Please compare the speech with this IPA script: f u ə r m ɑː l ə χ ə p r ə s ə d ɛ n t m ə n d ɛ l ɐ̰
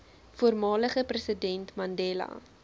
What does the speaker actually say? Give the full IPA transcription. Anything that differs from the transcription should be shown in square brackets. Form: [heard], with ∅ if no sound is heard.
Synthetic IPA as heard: f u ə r m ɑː l ə χ ə p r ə s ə d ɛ n t m [ɐ] n d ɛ l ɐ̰